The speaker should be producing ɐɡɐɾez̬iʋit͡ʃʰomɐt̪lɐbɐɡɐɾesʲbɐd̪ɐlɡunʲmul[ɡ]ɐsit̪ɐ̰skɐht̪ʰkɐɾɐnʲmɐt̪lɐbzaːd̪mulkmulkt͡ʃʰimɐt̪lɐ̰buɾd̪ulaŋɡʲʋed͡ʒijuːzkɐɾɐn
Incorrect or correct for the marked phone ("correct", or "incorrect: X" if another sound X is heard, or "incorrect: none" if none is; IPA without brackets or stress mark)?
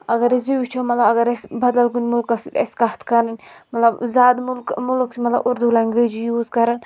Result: incorrect: k